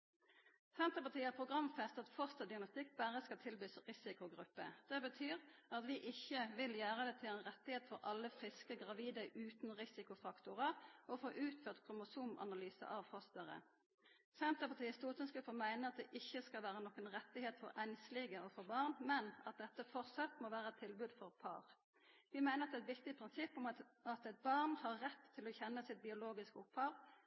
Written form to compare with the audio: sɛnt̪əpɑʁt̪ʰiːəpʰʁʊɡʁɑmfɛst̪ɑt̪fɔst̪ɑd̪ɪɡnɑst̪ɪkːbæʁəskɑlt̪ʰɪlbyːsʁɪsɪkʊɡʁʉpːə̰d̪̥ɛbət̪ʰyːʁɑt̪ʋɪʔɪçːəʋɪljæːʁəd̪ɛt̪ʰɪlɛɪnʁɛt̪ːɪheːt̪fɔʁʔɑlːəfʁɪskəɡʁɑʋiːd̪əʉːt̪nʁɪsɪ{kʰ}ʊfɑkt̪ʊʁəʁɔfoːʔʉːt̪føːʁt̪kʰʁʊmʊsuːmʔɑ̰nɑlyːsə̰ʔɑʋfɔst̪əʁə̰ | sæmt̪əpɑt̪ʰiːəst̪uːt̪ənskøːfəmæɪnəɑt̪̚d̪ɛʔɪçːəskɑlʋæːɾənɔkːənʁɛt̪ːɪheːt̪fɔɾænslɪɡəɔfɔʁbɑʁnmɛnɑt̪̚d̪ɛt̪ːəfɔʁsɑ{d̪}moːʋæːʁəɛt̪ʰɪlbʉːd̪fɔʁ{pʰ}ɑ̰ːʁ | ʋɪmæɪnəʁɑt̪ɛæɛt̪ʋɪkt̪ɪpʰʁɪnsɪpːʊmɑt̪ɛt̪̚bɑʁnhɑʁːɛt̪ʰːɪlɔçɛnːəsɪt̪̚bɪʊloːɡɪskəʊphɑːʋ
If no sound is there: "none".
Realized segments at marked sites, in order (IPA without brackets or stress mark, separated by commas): k, t̪, pʰ